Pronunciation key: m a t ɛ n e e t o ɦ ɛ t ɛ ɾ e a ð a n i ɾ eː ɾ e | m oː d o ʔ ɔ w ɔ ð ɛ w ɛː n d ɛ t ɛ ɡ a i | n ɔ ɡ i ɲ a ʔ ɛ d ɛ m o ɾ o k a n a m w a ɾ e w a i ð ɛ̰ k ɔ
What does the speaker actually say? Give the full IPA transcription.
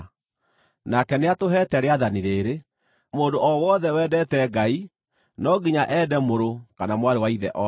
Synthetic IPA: n a k ɛ n e a t o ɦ ɛ t ɛ ɾ e a ð a n i ɾ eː ɾ e | m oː d o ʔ ɔ w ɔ ð ɛ w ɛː d ɛ t ɛ ɡ a i | n ɔ ɡ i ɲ a ʔ ɛ d ɛ m o ɾ o k a n a m w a ɾ e w a i ð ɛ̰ ʔ ɔ